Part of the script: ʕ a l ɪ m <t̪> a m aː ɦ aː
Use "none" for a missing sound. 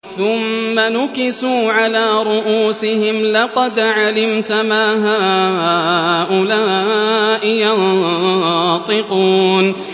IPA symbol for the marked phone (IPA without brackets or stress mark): t̪